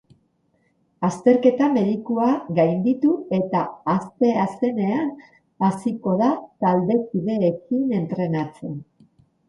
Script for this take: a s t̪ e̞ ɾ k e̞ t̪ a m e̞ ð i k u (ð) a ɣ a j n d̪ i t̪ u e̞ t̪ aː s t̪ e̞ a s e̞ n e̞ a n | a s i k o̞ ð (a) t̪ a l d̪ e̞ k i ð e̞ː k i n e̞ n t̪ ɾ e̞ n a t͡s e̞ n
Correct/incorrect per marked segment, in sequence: incorrect: none, correct

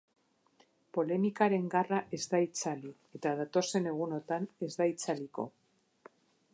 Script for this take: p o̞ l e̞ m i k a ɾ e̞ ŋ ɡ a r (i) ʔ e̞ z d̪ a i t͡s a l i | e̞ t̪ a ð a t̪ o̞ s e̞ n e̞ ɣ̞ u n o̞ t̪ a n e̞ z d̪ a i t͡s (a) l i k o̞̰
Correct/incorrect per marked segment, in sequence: incorrect: a, correct

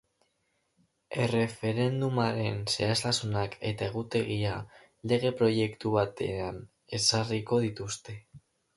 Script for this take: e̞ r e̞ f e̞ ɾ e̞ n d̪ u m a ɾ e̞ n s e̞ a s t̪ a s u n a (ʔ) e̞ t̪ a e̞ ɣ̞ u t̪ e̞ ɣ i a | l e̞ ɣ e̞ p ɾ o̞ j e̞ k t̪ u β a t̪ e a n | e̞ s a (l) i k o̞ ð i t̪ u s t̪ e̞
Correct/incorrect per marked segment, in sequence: incorrect: k, incorrect: r

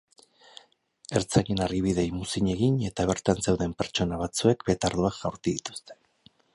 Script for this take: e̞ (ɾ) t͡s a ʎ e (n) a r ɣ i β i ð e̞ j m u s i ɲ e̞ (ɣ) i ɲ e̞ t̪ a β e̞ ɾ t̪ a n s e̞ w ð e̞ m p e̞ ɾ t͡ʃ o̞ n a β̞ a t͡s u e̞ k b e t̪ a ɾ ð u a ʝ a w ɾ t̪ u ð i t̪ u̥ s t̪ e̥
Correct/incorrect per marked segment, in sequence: correct, correct, correct

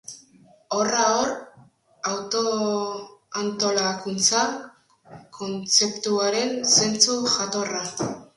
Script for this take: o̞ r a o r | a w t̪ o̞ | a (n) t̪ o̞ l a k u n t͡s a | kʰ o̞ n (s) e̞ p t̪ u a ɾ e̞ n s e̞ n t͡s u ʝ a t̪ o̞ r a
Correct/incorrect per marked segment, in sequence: correct, incorrect: t͡s

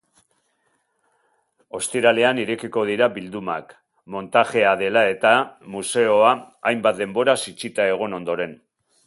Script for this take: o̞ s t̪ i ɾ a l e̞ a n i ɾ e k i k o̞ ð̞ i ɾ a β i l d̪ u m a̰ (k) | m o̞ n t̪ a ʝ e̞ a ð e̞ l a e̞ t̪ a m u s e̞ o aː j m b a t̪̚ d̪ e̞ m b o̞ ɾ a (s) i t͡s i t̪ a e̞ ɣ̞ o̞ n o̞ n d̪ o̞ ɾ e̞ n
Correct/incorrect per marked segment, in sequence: correct, correct

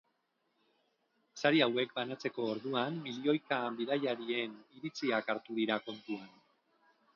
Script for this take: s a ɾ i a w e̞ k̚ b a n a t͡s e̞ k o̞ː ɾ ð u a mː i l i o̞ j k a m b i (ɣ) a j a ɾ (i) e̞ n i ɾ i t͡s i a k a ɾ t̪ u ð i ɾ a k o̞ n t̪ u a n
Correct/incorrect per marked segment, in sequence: incorrect: ð, correct

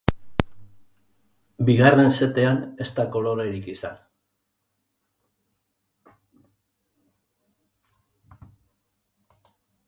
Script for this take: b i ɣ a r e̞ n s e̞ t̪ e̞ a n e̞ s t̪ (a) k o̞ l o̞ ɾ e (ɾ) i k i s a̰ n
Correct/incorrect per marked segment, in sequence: correct, correct

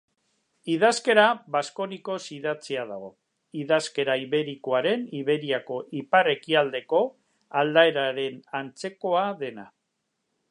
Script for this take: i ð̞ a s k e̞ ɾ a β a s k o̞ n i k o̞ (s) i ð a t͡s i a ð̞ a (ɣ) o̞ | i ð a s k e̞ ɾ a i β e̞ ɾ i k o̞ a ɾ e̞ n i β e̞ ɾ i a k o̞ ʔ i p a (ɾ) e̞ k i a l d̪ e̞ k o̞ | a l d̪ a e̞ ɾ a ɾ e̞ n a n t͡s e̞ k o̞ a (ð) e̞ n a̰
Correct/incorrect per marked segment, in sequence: correct, correct, incorrect: r, correct

